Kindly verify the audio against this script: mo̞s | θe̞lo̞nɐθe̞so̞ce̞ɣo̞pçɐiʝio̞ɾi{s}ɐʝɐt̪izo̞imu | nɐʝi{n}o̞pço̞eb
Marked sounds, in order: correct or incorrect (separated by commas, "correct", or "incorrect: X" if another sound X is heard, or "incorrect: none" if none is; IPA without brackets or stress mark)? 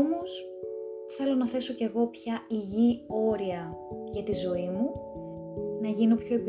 incorrect: none, correct